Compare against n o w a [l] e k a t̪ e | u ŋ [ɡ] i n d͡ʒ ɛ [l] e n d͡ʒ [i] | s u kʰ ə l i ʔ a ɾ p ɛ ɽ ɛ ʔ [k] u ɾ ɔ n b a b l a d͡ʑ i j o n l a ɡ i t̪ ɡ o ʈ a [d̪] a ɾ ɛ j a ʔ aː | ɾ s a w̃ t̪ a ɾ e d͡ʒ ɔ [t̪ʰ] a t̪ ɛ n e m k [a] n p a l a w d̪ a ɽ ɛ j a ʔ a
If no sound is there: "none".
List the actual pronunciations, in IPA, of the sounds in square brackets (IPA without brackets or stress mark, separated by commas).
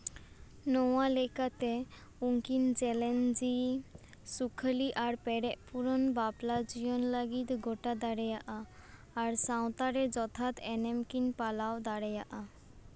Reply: l, k, l, i, p, d̪, t̪ʰ, i